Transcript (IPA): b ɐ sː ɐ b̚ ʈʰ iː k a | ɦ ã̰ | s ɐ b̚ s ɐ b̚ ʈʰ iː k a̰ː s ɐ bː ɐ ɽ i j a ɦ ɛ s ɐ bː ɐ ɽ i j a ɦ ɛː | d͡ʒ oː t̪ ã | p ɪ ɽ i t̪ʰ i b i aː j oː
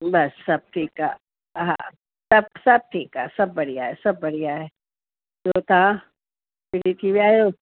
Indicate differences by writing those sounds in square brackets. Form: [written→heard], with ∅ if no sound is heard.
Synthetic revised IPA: b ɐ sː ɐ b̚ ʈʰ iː k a | ɦ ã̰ | s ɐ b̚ s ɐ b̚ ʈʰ iː k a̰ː s ɐ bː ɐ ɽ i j a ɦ ɛ s ɐ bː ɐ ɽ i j a ɦ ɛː | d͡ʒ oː t̪ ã | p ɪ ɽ i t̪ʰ i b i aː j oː